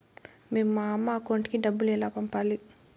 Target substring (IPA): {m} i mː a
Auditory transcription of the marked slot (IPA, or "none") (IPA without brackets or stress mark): m